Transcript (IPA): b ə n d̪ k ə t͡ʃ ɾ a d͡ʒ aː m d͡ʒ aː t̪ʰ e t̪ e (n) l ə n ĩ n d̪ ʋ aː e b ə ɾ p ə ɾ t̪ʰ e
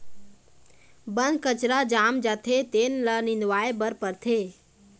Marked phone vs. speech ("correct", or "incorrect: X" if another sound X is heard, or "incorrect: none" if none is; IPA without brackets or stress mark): correct